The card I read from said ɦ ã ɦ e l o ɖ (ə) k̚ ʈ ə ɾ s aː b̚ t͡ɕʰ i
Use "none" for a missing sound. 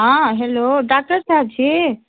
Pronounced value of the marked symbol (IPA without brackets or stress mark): a